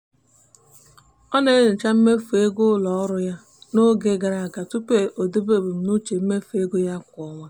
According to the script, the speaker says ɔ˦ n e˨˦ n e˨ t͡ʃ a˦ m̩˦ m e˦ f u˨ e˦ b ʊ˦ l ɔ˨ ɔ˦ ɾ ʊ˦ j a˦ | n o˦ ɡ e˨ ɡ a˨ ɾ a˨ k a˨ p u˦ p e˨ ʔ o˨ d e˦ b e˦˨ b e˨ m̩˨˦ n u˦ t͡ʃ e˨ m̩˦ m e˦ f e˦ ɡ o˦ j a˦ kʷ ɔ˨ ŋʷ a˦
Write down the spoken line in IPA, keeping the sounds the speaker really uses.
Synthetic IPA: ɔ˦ n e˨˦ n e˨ t͡ʃ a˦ m̩˦ m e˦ f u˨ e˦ ɡ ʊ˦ l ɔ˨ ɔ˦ ɾ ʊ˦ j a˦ | n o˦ ɡ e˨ ɡ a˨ ɾ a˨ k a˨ t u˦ p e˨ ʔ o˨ d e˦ b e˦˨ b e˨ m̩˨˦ n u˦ t͡ʃ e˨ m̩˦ m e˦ f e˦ ɡ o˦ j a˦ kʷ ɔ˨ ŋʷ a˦